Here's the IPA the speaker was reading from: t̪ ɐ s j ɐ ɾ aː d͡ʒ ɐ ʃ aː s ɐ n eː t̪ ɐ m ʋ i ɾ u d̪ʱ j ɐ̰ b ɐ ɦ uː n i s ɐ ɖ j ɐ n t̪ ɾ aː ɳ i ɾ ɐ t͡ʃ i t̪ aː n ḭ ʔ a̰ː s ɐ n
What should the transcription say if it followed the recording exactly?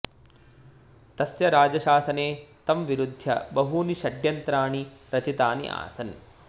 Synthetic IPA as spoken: t̪ ɐ s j ɐ ɾ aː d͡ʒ ɐ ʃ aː s ɐ n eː t̪ ɐ m ʋ i ɾ u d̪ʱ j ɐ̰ b ɐ ɦ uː n i ʃ ɐ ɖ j ɐ n t̪ ɾ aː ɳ i ɾ ɐ t͡ʃ i t̪ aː n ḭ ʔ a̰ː s ɐ n

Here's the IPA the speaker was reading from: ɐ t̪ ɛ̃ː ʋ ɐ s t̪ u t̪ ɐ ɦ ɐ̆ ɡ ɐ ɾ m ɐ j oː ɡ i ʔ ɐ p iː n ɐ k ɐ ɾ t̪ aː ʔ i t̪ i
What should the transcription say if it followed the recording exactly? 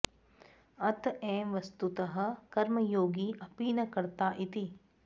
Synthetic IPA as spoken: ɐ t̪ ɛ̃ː ʋ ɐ s t̪ u t̪ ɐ ɦ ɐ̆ k ɐ ɾ m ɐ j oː ɡ i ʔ ɐ p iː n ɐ k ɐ ɾ t̪ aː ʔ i t̪ i

